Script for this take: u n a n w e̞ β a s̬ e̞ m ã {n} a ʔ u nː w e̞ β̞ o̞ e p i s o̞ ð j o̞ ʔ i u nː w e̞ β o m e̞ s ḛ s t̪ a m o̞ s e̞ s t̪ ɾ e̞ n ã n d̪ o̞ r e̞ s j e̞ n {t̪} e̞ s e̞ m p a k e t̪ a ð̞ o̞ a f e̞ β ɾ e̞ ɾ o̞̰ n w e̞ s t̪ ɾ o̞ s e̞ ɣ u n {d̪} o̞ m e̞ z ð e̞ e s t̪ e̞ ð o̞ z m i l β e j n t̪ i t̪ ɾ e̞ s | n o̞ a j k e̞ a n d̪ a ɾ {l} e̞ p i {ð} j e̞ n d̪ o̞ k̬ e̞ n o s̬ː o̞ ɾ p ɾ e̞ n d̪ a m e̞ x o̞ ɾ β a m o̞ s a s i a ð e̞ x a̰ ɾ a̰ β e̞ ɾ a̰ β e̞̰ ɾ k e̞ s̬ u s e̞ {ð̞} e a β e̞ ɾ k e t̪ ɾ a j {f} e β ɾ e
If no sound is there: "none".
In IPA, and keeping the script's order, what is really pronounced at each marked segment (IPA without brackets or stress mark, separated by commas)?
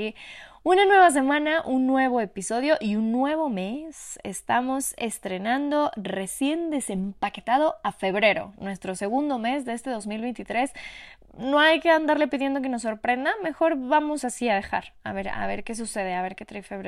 n, d̪, d̪, l, ð, ð̞, f